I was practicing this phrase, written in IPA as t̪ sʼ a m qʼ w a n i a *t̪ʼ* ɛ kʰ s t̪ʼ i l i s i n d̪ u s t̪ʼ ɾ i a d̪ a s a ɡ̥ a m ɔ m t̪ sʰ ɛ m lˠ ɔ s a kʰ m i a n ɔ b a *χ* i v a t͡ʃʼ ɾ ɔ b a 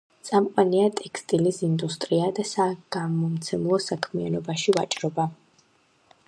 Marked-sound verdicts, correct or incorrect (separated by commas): correct, incorrect